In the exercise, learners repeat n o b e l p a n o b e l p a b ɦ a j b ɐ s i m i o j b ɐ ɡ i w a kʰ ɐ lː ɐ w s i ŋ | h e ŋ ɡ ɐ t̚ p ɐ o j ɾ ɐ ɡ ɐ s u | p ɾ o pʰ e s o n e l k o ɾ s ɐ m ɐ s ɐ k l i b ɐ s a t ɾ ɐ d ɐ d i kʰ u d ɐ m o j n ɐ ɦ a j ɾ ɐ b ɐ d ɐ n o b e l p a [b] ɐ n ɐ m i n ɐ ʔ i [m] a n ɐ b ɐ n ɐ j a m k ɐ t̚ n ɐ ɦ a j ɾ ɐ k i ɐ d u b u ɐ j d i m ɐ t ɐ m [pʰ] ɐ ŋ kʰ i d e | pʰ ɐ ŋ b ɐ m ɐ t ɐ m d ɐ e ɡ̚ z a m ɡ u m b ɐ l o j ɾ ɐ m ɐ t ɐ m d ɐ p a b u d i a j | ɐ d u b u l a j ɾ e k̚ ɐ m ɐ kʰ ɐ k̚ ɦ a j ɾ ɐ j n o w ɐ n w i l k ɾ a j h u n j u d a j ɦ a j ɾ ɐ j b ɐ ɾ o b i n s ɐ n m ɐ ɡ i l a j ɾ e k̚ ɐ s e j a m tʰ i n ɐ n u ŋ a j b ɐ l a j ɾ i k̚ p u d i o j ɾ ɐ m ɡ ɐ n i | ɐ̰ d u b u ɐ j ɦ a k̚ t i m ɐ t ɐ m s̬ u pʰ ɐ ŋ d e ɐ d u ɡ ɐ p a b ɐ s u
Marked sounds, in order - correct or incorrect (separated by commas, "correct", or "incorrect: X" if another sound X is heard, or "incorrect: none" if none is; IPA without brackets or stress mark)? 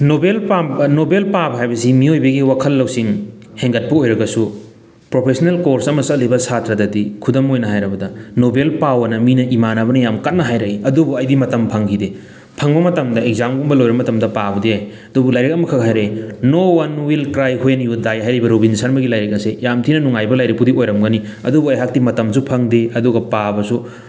incorrect: w, correct, correct